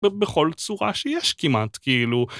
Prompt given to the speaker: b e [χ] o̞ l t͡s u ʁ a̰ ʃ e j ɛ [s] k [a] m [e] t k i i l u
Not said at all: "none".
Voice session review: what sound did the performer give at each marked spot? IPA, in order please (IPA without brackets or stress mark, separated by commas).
χ, ʃ, i, a